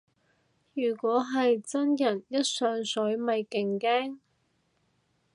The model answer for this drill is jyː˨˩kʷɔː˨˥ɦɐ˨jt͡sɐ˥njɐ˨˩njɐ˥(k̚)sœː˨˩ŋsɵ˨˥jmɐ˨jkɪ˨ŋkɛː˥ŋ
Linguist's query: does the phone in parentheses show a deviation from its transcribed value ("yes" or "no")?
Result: yes